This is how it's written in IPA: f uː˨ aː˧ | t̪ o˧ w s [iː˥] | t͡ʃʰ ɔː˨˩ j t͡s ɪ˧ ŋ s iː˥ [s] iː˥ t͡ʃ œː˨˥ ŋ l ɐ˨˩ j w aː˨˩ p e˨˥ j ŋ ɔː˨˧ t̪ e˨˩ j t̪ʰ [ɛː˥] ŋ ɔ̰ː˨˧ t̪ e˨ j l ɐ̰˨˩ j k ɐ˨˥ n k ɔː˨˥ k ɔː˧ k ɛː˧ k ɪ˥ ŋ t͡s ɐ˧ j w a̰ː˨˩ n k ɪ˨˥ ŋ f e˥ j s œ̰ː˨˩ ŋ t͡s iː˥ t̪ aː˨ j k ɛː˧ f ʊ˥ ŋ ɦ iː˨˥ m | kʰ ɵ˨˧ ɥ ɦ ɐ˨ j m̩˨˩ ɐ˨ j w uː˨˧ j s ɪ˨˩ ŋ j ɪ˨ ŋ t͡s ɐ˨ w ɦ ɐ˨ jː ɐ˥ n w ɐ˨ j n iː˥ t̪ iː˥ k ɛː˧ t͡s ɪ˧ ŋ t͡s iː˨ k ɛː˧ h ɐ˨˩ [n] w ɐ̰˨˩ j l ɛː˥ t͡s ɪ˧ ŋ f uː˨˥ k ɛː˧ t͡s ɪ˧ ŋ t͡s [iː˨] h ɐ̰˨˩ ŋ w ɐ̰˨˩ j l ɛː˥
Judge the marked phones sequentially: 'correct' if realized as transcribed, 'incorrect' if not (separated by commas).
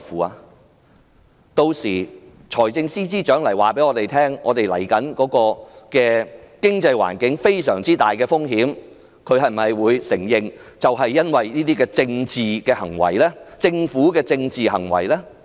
incorrect, incorrect, correct, incorrect, correct